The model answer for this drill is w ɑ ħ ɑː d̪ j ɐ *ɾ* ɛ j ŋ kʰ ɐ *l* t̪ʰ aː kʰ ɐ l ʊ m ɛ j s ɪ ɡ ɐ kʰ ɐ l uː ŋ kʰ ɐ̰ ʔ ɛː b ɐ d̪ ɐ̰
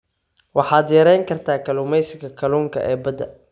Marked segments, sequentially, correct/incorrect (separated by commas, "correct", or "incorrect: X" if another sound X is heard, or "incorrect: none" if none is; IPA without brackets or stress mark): correct, incorrect: r